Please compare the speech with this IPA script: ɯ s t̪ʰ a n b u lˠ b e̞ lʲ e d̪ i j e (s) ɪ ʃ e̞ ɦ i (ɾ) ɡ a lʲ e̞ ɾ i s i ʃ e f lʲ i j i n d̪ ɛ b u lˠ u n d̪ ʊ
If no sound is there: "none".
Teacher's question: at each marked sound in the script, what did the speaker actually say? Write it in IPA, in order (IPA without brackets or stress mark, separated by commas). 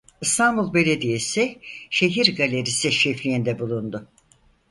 s, ɾ